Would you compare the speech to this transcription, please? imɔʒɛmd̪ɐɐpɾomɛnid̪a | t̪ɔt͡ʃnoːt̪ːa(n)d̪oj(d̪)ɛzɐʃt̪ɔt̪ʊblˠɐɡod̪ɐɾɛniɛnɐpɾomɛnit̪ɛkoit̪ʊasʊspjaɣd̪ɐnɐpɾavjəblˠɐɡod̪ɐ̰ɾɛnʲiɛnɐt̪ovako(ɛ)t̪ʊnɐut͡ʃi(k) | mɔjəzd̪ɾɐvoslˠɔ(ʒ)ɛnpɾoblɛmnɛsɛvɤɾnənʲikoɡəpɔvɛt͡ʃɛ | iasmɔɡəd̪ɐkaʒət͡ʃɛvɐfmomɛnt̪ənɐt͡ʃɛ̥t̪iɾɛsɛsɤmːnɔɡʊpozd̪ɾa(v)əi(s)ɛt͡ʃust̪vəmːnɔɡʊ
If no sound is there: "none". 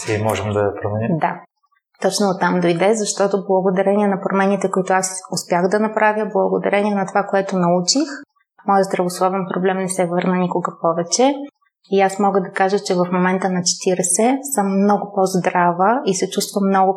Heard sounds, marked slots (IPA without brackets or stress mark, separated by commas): m, d̪, ɛ, x, v, v, s